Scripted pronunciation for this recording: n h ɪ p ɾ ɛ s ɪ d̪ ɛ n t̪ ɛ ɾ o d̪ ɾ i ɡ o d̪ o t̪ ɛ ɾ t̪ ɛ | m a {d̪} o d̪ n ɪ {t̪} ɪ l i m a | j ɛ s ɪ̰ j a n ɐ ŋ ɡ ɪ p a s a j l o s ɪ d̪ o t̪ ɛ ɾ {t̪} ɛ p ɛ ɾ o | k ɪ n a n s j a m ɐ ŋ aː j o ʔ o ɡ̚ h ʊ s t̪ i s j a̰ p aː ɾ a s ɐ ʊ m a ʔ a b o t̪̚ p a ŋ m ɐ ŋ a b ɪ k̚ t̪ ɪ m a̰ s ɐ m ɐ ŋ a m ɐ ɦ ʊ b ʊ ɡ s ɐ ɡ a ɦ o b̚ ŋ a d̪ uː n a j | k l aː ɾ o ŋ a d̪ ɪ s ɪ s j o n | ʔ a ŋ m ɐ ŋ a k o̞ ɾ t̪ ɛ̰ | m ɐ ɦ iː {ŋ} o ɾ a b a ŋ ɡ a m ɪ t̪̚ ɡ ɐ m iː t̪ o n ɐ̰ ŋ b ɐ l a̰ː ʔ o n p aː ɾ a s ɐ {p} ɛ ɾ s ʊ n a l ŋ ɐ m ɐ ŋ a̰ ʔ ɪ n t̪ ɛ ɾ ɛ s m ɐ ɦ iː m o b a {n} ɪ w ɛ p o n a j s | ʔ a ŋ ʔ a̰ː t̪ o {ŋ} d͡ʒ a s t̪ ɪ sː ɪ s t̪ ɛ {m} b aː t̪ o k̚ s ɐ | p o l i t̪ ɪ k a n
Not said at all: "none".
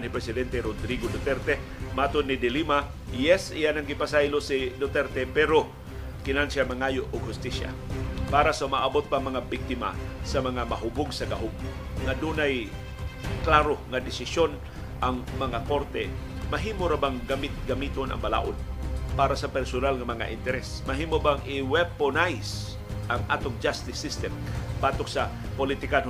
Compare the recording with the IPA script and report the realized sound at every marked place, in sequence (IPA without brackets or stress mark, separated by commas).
t̪, d̪, t̪, m, p, ŋ, ŋ, m